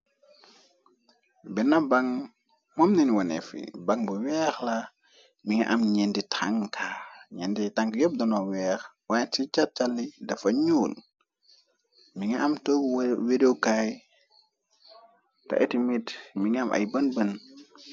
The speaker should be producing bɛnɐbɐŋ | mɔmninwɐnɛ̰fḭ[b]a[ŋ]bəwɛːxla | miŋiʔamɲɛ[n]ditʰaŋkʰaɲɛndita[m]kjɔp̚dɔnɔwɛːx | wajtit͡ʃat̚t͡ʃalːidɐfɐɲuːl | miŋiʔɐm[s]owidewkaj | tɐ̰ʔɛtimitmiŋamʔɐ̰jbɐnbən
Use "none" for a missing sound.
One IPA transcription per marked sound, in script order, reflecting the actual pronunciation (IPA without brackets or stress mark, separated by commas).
b, ŋ, n, ŋ, t